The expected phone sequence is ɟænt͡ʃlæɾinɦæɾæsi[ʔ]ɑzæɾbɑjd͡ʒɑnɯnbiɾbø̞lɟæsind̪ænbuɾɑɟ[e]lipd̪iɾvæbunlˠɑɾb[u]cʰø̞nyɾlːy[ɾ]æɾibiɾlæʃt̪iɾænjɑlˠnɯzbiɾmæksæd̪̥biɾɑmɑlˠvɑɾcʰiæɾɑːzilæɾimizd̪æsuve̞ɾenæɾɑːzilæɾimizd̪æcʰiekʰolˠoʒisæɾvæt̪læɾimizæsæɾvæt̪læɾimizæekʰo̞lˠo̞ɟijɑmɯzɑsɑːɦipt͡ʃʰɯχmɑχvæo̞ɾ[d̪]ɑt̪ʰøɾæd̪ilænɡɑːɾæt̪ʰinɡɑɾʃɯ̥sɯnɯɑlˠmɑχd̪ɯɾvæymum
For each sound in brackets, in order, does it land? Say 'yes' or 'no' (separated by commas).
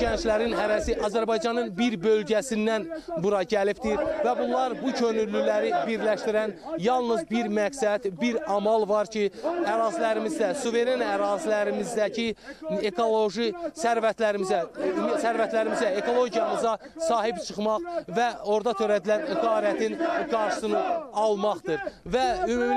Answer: yes, no, yes, no, yes